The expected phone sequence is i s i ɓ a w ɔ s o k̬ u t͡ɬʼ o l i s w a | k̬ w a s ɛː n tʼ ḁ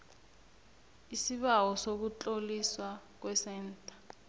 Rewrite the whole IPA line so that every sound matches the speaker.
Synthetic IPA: i s i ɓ a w ɔ s o k̬ u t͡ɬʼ o l i s w a | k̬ w ɛ s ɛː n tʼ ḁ